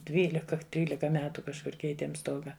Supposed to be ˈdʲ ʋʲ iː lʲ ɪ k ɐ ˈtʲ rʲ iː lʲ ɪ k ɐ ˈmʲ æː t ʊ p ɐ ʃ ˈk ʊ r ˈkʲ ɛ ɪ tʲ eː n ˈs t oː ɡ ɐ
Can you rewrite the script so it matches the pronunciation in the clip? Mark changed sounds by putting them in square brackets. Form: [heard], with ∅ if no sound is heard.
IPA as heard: ˈdʲ ʋʲ iː lʲ ɪ k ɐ ˈtʲ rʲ iː lʲ ɪ k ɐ ˈmʲ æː t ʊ [k] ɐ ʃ ˈk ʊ r ˈkʲ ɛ ɪ tʲ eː [m] ˈs t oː ɡ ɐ